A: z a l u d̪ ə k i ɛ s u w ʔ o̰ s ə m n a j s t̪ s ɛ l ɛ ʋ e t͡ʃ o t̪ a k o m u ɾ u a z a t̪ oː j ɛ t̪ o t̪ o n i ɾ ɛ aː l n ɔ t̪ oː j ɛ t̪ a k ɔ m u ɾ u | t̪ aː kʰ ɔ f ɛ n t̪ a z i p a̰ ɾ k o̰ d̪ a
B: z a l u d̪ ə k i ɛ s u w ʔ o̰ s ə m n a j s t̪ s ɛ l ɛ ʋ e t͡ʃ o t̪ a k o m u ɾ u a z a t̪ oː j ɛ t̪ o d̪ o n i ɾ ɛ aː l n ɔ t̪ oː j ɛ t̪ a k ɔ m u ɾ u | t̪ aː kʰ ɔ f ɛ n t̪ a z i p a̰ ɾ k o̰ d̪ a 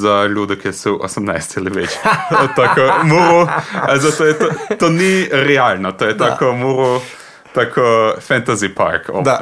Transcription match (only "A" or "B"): A